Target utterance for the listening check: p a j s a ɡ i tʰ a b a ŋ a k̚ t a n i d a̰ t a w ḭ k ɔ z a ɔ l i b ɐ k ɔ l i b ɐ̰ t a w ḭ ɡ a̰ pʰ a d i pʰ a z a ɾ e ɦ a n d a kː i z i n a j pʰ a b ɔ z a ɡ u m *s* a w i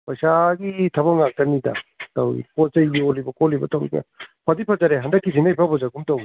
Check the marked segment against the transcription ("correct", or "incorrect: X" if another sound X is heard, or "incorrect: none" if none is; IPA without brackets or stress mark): incorrect: t